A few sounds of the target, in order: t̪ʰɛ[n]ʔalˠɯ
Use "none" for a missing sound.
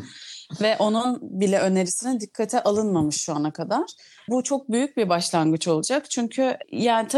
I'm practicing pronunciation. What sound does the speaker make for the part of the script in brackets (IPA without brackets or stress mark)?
none